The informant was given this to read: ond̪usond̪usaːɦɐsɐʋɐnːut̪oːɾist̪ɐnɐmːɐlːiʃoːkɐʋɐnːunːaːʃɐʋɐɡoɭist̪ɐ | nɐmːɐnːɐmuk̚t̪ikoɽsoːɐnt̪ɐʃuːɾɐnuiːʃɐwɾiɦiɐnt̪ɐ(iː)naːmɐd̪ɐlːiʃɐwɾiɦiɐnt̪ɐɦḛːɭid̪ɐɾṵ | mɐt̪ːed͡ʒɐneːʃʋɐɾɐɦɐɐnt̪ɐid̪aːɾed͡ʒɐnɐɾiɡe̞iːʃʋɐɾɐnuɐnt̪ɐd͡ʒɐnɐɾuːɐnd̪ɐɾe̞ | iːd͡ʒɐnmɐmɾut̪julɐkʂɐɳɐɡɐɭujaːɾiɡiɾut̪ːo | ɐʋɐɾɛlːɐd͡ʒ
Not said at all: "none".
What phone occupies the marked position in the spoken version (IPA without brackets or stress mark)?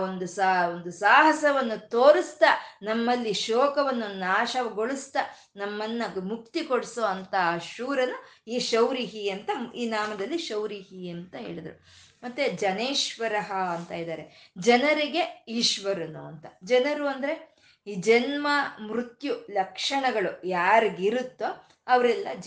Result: iː